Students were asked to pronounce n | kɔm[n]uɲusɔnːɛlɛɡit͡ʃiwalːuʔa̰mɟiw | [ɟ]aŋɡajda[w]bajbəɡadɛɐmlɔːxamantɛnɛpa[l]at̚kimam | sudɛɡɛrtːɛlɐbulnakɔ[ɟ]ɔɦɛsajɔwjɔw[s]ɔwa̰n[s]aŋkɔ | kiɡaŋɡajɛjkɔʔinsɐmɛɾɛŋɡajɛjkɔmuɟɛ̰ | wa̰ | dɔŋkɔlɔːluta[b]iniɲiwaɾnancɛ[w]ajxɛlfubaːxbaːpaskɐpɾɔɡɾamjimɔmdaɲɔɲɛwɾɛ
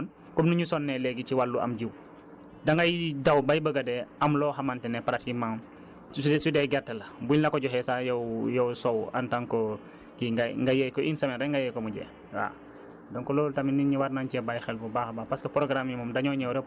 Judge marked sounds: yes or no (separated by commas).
yes, no, yes, no, yes, yes, no, no, no